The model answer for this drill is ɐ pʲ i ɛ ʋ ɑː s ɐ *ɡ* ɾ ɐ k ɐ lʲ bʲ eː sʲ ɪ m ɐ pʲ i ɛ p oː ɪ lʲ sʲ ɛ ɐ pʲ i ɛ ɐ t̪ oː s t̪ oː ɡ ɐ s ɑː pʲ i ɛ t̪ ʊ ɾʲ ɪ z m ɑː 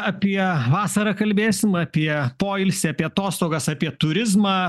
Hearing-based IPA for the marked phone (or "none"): none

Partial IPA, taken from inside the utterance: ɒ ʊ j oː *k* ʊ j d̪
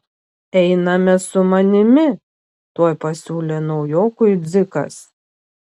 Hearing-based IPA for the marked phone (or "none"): k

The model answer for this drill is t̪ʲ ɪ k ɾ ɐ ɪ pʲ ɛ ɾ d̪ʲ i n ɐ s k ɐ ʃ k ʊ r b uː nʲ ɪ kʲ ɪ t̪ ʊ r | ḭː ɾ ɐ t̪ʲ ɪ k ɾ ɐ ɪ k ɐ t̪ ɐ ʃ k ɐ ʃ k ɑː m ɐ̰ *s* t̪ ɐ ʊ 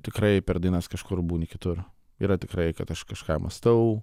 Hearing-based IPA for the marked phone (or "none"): s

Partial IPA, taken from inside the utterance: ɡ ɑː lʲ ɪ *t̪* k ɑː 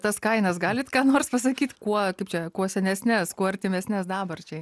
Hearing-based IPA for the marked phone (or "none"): t̪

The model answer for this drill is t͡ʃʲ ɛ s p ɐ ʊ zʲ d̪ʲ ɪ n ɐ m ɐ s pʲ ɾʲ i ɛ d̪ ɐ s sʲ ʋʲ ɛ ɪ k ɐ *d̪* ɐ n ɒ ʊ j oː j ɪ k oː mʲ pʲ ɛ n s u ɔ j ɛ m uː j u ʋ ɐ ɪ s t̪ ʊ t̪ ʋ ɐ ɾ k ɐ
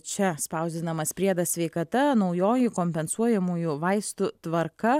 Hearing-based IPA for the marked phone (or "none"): t̪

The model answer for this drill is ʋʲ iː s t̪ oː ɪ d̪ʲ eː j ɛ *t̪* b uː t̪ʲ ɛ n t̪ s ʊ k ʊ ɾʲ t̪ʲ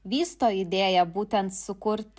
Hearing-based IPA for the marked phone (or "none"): none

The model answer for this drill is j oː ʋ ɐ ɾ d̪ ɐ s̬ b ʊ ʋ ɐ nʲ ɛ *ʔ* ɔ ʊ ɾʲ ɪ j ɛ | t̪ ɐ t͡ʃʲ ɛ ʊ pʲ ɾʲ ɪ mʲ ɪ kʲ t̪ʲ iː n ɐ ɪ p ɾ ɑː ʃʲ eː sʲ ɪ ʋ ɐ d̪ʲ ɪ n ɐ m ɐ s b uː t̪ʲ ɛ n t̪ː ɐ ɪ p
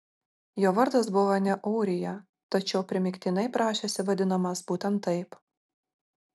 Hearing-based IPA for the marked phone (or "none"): ʔ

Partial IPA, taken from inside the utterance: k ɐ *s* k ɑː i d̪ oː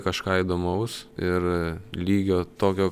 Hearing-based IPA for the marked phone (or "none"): ʃ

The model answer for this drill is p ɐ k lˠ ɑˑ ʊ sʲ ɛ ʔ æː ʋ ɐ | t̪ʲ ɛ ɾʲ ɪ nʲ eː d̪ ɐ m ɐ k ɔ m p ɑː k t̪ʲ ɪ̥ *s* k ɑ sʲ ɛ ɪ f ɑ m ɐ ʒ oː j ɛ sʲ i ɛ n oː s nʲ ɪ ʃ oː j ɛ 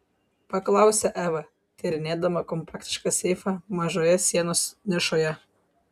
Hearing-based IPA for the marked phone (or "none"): ʃ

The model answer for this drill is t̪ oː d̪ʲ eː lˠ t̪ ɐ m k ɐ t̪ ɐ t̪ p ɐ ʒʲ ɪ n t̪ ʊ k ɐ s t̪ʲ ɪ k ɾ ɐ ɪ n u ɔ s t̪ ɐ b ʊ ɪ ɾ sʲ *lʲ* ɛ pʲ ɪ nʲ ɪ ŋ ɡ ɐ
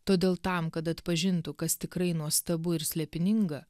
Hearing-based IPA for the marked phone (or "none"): lʲ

